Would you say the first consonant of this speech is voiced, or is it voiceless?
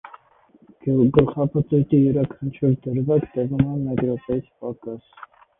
voiced